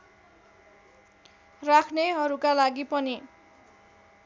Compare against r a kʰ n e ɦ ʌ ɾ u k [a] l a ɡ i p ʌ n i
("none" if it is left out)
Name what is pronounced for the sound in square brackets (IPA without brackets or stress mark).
a